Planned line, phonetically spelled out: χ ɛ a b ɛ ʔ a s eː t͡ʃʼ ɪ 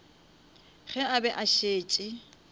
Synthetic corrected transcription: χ ɛ a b ɛ ʔ a ʃ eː t͡ʃʼ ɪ